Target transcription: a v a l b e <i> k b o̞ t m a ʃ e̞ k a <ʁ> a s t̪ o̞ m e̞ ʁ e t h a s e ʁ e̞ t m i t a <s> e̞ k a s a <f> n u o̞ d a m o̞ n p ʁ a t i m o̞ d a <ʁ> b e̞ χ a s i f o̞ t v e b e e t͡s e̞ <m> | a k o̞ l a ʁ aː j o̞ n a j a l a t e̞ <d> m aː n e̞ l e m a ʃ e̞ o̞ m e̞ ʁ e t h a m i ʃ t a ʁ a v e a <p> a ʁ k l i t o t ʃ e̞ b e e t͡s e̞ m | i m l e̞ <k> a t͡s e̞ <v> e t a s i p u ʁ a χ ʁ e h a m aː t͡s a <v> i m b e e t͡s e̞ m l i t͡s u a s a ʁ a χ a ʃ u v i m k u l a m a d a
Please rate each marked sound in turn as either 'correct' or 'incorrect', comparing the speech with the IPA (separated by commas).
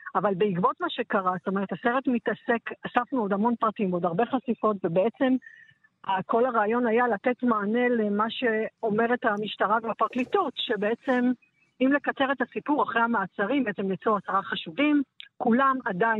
correct, correct, correct, correct, correct, correct, incorrect, correct, correct, incorrect, incorrect